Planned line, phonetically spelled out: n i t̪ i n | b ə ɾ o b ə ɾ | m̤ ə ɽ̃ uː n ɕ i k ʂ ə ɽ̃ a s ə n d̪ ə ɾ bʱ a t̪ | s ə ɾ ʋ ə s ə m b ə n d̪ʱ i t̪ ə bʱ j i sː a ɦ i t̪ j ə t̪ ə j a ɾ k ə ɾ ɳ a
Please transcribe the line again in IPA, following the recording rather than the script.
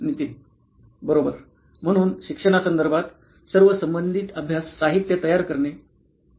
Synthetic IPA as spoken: n i t̪ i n | b ə ɾ o b ə ɾ | m̤ ə ɽ̃ uː n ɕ i k ʂ ə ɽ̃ a s ə n d̪ ə ɾ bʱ a t̪ | s ə ɾ ʋ ə s ə m b ə n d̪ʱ i t̪ ə bʱ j a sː a ɦ i t̪ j ə t̪ ə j a ɾ k ə ɾ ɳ e